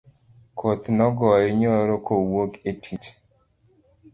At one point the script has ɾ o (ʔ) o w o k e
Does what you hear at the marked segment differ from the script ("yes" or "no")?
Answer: yes